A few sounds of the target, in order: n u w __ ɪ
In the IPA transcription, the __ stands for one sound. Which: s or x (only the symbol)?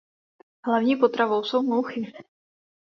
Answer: x